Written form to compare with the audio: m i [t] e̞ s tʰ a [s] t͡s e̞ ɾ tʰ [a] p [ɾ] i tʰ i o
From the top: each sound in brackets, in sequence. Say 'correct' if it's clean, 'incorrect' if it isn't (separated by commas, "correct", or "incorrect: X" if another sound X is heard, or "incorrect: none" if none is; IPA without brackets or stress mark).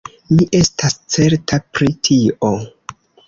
incorrect: ʔ, correct, correct, correct